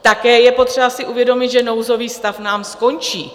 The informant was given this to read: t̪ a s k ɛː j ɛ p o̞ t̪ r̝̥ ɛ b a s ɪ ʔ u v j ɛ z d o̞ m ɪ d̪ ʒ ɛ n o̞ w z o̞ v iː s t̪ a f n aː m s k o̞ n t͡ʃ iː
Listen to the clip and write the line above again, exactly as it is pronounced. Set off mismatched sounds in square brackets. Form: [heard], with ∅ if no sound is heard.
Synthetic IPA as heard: t̪ a [∅] k ɛː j ɛ p o̞ t̪ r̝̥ ɛ b a s ɪ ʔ u v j ɛ [∅] d o̞ m ɪ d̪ ʒ ɛ n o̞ w z o̞ v iː s t̪ a f n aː m s k o̞ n t͡ʃ iː